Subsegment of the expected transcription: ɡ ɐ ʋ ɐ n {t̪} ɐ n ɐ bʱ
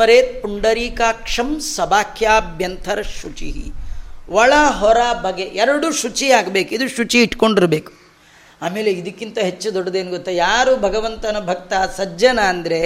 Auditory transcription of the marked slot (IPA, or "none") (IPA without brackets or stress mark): t̪